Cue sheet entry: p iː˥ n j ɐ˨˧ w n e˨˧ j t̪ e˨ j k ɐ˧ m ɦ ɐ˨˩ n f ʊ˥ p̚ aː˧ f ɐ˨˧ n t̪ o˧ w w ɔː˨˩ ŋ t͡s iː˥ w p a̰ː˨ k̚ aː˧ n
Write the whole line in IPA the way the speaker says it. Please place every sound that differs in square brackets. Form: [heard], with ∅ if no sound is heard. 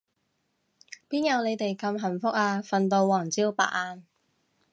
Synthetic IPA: p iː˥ n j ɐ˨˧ w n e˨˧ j t̪ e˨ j k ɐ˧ m ɦ ɐ˨˩ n f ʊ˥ [k̚] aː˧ f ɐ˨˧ n t̪ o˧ w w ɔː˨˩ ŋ t͡s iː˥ w p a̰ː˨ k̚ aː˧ n